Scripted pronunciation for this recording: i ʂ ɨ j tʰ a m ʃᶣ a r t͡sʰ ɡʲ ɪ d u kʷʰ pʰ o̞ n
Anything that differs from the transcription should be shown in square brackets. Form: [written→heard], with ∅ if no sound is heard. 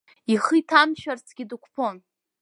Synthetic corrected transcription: i [ʂ→χ] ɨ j tʰ a m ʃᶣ a r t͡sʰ ɡʲ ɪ d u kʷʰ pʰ o̞ n